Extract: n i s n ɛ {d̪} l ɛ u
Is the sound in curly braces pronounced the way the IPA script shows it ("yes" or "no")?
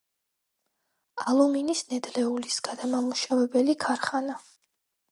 yes